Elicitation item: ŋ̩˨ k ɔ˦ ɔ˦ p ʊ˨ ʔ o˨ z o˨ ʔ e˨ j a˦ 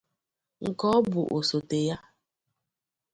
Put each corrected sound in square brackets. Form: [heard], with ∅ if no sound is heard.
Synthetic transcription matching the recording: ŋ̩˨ k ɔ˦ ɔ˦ [b] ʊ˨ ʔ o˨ [s] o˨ [t] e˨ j a˦